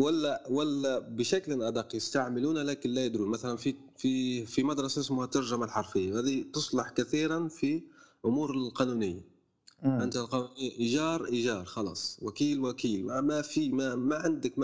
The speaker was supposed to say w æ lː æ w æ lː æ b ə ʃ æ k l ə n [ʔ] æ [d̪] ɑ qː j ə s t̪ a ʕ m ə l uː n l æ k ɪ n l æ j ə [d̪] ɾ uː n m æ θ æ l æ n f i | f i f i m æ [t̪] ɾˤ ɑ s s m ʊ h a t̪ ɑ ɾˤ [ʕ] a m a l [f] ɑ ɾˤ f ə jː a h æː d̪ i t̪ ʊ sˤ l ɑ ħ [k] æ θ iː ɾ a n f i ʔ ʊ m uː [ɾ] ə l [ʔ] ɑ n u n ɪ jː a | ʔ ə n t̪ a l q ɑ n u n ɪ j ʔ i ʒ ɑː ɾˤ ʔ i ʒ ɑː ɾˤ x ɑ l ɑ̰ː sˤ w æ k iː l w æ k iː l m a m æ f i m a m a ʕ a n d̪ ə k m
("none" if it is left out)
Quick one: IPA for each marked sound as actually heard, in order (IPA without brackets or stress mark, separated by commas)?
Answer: ʔ, d̪, d̪, d̪, ʒ, ħ, k, ɾ, q